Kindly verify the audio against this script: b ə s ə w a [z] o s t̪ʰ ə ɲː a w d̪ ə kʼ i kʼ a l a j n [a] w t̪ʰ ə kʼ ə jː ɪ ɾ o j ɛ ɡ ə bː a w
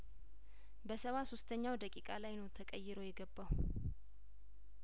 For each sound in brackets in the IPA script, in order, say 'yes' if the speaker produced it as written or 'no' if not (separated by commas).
no, no